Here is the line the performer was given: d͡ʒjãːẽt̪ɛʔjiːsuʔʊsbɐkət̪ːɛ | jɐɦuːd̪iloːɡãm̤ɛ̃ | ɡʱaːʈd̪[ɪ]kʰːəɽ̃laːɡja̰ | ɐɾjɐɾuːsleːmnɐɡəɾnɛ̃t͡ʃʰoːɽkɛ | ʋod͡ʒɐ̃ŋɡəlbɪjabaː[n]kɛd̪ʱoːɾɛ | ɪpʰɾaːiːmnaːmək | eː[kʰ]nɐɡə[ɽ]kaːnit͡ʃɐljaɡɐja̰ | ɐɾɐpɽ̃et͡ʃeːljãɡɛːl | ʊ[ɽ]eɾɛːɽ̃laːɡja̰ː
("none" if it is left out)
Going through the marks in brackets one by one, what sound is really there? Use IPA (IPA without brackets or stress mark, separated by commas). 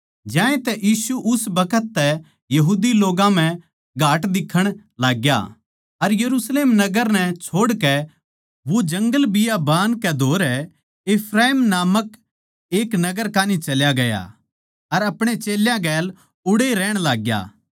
ɪ, n, k, ɾ, ɽ